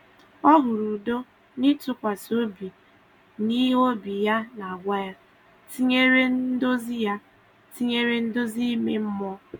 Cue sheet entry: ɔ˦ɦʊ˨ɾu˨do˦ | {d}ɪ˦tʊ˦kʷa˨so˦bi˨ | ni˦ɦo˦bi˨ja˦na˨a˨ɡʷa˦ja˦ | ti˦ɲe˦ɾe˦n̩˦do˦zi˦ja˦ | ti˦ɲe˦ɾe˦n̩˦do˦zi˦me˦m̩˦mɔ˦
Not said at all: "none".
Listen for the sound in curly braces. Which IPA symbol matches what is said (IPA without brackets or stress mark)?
n